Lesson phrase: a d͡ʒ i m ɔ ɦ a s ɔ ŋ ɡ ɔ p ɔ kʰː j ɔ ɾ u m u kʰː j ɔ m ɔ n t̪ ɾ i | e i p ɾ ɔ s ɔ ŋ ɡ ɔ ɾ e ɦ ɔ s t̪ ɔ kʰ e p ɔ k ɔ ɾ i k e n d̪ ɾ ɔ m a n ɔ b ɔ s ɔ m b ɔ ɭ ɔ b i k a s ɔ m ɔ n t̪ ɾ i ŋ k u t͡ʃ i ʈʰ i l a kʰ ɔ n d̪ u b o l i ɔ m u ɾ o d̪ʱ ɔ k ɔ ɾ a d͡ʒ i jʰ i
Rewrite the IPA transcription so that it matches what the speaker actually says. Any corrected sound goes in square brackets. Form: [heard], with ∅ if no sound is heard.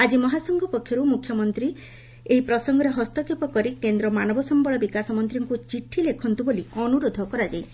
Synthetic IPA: a d͡ʒ i m ɔ ɦ a s ɔ ŋ ɡ ɔ p ɔ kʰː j ɔ ɾ u m u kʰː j ɔ m ɔ n t̪ ɾ i | e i p ɾ ɔ s ɔ ŋ ɡ ɔ ɾ e ɦ ɔ s t̪ ɔ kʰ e p ɔ k ɔ ɾ i k e n d̪ ɾ ɔ m a n ɔ b ɔ s ɔ m b ɔ ɭ ɔ b i k a s ɔ m ɔ n t̪ ɾ i ŋ k u t͡ʃ i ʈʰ i l [e] kʰ ɔ n [t̪] u b o l i ɔ [n] u ɾ o d̪ʱ ɔ k ɔ ɾ a d͡ʒ [a] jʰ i